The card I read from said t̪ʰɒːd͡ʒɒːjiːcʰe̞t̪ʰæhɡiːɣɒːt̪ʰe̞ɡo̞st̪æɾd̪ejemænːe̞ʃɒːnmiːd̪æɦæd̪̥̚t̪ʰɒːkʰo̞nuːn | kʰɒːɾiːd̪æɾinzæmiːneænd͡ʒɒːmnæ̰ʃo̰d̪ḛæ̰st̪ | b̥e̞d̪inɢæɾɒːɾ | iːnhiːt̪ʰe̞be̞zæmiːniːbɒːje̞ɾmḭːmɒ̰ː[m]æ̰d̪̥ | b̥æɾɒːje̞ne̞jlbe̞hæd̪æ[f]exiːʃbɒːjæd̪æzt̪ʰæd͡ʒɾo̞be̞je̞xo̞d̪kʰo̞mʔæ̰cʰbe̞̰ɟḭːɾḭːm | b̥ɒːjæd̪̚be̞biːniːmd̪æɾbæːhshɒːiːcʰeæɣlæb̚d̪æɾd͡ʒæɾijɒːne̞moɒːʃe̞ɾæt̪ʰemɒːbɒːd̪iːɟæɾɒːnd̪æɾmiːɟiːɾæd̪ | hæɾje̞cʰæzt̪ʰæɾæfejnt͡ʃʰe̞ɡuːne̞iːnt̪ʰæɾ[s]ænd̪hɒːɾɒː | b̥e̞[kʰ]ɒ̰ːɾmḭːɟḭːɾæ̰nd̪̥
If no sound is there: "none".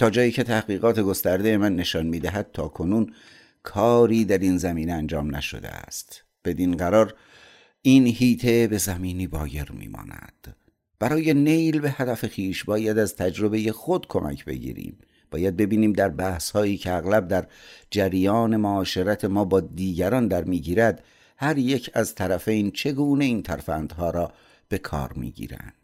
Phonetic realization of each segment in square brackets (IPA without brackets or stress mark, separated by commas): n, f, f, kʰ